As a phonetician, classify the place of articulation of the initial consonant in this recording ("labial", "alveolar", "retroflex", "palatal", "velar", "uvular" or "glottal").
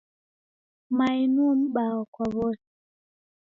labial